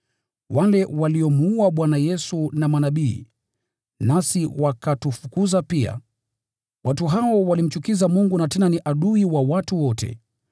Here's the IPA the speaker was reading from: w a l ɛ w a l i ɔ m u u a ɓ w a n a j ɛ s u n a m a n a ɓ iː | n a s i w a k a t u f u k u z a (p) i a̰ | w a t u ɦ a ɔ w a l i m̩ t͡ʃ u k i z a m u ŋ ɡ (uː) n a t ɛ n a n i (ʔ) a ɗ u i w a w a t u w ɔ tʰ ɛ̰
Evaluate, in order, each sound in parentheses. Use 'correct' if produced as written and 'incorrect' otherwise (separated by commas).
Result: correct, incorrect, correct